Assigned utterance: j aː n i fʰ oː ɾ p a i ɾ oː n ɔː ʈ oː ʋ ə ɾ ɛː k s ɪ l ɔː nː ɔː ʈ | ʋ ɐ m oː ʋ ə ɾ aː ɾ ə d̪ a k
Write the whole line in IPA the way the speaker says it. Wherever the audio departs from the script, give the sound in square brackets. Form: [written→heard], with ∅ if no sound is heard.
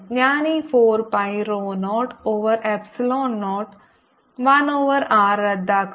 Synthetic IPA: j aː n i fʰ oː ɾ p a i ɾ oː n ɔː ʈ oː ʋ ə ɾ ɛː [k→p] s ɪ l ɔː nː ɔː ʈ | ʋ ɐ [m→n] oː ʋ ə ɾ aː ɾ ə d̪ a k